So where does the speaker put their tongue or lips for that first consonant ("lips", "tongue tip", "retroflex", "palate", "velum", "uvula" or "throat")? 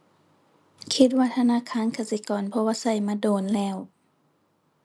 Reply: velum